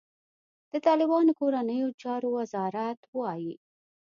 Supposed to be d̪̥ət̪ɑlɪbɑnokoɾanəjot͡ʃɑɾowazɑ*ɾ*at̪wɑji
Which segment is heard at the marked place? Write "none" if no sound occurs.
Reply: ɾ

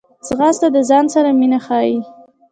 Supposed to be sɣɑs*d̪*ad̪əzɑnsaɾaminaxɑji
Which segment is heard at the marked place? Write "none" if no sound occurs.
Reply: t̪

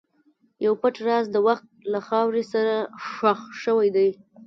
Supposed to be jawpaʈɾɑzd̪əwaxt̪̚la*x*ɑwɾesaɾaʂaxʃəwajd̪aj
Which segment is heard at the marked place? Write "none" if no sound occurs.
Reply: x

